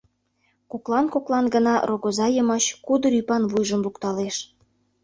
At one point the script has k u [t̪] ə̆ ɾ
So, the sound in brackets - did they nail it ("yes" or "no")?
no